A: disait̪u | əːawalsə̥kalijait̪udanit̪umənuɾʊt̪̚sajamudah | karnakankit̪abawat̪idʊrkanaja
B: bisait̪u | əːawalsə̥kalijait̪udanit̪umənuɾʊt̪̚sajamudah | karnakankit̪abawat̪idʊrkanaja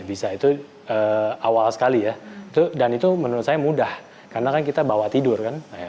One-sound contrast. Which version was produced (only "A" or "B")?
B